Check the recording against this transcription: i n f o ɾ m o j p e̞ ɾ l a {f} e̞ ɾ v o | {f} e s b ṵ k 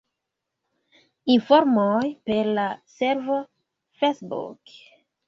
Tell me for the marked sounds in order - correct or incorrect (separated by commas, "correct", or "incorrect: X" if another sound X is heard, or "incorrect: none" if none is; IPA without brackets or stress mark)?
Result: incorrect: s, correct